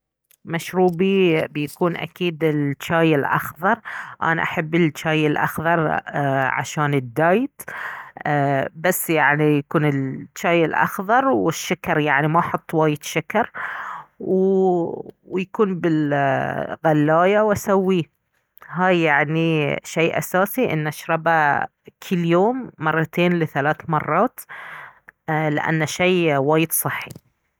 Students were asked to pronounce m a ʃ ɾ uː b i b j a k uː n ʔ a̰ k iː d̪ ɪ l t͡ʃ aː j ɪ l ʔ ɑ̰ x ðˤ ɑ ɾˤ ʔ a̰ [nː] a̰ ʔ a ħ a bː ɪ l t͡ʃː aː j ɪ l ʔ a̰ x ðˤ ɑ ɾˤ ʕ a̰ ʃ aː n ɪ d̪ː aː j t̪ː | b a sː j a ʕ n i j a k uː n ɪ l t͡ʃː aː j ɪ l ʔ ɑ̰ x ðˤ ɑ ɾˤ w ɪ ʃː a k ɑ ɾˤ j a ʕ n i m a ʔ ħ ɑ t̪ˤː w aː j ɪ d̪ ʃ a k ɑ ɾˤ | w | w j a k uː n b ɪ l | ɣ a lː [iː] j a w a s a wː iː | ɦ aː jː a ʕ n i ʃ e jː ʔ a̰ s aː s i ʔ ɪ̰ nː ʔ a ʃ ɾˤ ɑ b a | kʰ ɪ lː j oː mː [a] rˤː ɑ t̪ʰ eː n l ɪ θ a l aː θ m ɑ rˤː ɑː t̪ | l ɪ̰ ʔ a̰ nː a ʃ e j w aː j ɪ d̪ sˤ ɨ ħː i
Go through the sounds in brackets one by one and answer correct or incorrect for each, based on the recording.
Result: incorrect, incorrect, incorrect

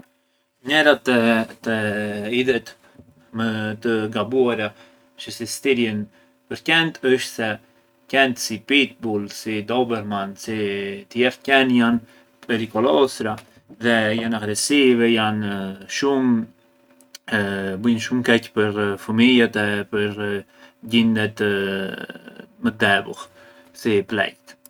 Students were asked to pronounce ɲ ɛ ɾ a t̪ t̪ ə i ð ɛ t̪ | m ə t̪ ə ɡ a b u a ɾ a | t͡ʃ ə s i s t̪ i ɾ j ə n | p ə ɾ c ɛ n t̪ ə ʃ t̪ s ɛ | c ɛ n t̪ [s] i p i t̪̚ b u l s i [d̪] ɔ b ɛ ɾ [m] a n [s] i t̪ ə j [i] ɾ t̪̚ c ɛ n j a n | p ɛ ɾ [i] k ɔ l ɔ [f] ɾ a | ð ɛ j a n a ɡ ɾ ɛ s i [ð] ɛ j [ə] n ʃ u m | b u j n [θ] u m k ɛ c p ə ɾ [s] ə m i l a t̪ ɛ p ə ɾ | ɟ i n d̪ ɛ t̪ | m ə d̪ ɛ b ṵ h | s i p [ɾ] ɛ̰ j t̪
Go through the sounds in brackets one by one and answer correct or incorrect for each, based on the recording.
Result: correct, correct, correct, correct, incorrect, correct, incorrect, incorrect, incorrect, incorrect, incorrect, incorrect

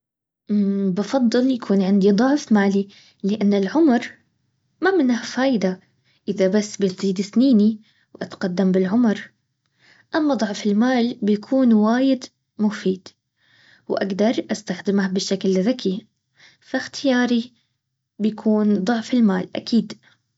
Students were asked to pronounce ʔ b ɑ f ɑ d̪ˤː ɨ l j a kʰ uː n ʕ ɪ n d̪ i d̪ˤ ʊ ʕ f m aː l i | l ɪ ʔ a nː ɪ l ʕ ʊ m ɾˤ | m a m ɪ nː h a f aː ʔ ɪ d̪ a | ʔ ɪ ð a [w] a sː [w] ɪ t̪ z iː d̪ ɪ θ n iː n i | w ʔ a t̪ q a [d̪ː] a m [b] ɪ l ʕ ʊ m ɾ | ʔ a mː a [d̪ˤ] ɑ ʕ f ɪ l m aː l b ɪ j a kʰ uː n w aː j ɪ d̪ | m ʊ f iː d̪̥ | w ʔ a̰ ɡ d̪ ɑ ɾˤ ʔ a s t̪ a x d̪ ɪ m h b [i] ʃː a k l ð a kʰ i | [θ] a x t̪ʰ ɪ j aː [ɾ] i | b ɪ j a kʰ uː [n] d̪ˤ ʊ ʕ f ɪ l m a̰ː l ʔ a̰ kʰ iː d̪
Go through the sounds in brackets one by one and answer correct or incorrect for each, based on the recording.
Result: incorrect, incorrect, correct, correct, correct, incorrect, incorrect, correct, correct

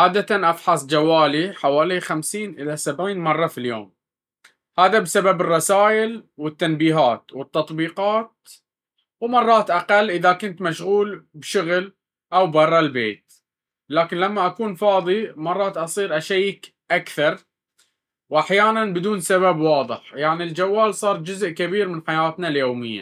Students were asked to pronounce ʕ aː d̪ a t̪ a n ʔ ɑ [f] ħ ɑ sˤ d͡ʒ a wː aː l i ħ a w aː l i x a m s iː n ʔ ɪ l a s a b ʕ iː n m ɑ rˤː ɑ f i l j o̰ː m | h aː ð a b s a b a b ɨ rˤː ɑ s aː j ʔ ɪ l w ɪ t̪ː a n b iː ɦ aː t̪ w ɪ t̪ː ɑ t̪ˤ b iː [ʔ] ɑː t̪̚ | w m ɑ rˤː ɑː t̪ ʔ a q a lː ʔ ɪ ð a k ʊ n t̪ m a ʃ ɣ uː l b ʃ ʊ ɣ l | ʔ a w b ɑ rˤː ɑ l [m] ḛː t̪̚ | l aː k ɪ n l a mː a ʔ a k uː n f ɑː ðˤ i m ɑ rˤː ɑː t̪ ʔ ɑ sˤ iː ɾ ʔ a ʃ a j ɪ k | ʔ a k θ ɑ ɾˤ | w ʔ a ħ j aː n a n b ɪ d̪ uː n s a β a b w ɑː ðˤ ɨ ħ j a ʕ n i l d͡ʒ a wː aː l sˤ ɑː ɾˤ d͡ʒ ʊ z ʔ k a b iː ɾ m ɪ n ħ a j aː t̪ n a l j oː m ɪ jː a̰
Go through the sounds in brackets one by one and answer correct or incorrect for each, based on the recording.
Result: correct, incorrect, incorrect

